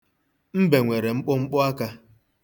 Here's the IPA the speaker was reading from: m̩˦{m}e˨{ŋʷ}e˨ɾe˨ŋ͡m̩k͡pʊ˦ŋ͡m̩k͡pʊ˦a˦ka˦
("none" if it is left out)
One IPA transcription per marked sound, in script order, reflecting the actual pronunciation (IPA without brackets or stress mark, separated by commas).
b, ŋʷ